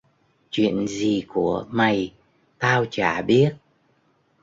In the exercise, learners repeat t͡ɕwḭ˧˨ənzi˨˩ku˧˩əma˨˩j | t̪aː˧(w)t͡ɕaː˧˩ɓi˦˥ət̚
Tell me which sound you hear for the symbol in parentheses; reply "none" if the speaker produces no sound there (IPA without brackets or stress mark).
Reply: w